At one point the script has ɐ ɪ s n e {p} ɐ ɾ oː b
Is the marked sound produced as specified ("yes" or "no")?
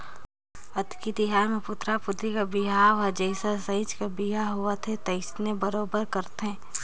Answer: no